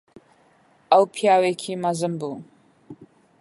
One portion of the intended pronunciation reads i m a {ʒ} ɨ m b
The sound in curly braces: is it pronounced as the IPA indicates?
no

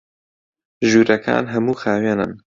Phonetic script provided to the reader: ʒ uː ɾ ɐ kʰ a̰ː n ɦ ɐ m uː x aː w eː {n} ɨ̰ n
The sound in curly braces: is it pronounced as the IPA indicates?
yes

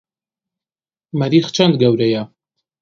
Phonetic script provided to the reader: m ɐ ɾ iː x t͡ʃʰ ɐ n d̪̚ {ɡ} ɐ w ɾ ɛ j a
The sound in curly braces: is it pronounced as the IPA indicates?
yes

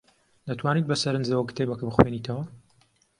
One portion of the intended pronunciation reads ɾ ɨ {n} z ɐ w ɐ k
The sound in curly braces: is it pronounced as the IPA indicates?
yes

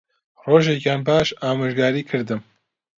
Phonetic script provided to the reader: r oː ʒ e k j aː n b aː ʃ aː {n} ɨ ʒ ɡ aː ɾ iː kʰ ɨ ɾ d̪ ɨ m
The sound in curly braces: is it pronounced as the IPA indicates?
no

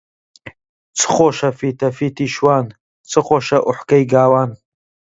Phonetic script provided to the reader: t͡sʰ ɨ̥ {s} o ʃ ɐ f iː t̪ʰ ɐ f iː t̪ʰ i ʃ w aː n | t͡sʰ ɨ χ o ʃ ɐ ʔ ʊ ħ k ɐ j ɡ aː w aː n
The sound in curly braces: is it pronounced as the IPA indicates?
no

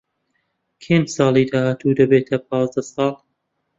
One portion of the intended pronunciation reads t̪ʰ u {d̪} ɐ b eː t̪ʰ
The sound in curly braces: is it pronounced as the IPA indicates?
yes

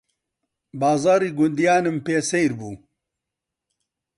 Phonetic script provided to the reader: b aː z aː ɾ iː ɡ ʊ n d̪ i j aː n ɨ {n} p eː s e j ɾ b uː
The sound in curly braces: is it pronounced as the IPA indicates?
no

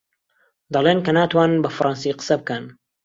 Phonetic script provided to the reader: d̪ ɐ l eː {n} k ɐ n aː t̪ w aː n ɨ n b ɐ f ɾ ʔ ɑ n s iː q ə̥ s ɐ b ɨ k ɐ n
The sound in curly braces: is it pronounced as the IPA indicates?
yes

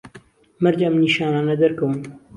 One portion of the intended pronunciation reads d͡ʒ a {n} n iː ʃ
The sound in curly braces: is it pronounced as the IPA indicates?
no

